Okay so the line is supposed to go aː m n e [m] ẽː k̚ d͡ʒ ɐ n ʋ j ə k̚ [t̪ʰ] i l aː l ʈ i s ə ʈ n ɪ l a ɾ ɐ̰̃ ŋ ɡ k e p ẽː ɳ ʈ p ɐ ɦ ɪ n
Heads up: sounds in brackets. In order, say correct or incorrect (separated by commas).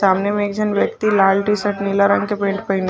correct, incorrect